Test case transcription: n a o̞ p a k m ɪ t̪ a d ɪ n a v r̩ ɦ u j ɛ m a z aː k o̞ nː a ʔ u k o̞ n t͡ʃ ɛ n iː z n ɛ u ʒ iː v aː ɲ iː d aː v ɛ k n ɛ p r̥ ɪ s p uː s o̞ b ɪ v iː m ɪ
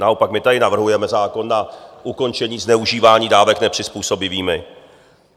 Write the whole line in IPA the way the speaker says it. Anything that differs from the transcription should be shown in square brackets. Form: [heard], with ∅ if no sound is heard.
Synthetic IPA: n a o̞ p a k m ɪ t̪ a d ɪ n a v r̩ ɦ u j ɛ m [ɛ] z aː k o̞ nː a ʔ u k o̞ n t͡ʃ ɛ [ɲ] iː z n ɛ u ʒ iː v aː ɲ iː d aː v ɛ k n ɛ p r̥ ɪ s p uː s o̞ b ɪ v iː m ɪ